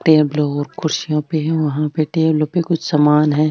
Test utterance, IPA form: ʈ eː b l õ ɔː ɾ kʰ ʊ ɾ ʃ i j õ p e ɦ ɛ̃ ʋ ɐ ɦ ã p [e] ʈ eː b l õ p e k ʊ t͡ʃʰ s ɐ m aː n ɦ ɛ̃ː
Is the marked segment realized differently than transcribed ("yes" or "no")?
no